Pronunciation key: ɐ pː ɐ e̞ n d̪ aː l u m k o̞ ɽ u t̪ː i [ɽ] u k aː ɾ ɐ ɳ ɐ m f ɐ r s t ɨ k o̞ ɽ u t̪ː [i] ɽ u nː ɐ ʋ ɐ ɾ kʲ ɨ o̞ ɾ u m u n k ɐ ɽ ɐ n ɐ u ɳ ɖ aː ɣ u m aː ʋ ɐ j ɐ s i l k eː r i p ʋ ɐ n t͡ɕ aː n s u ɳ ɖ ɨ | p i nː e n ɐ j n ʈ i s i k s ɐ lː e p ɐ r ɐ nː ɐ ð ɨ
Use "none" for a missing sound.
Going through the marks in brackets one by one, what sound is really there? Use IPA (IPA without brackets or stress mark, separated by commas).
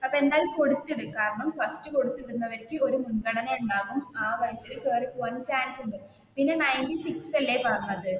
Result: ɽ, i